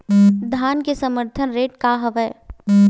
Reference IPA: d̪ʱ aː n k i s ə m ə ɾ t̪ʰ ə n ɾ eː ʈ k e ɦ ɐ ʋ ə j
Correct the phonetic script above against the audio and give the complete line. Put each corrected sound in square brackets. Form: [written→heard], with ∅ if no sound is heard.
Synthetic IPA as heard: d̪ʱ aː n k [i→e] s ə m ə ɾ t̪ʰ ə n ɾ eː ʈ k [e→a] ɦ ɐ ʋ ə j